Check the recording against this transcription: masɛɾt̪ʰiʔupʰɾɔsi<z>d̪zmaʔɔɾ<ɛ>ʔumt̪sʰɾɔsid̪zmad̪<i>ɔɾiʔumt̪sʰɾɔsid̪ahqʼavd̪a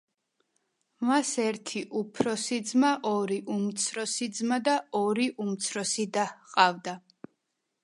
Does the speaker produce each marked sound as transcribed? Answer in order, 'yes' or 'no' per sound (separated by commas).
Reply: no, no, no